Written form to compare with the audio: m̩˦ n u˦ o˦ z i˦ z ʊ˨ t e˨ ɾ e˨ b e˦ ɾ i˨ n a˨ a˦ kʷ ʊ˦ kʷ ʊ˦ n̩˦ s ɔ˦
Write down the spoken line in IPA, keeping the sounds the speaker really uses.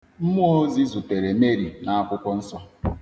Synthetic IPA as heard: m̩˦ m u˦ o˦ z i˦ z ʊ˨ t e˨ ɾ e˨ m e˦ ɾ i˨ n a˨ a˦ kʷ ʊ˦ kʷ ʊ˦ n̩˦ s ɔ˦